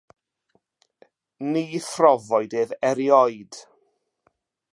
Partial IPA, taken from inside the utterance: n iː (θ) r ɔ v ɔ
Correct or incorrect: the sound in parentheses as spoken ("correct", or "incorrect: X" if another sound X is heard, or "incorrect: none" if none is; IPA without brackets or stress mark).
correct